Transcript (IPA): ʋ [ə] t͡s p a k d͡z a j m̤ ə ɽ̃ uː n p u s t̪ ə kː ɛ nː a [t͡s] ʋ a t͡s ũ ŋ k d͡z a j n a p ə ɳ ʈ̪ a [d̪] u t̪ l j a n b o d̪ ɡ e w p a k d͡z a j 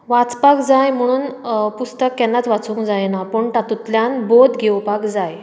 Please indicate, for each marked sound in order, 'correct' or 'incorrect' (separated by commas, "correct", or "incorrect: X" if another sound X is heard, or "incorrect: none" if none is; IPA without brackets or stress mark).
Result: incorrect: a, correct, incorrect: t̪